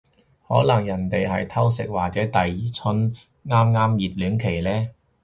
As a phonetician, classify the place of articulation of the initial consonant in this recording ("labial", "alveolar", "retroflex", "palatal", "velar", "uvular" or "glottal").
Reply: glottal